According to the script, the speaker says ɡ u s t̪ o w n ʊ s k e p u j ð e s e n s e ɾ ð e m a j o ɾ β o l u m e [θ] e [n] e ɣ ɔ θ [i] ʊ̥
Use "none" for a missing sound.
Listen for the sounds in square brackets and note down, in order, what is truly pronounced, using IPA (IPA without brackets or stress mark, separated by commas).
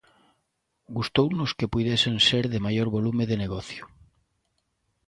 ð, n, j